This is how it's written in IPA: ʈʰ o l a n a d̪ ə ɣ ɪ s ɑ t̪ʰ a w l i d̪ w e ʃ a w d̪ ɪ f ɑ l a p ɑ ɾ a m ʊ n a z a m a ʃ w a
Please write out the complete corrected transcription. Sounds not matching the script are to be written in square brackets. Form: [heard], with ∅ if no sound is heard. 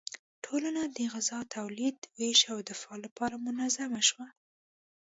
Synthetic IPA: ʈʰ o l a n a d̪ ə ɣ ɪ [z] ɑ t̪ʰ a w l i d̪ w e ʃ a w d̪ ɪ f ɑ l a p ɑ ɾ a m ʊ n a z a m a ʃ w a